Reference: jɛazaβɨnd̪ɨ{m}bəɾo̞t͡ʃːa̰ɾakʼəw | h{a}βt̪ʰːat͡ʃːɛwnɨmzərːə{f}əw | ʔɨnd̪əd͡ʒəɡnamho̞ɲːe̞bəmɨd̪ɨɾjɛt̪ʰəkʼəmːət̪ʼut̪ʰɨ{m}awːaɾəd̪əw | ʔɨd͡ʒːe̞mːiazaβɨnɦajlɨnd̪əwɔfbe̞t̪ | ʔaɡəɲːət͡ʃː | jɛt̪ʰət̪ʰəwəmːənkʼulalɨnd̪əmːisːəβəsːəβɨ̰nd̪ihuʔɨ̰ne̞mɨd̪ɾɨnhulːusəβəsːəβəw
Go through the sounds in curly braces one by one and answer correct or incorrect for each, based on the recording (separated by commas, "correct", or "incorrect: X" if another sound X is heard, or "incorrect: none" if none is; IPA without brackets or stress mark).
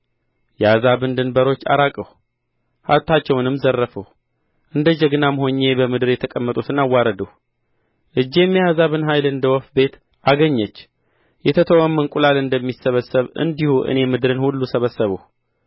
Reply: incorrect: n, correct, correct, incorrect: n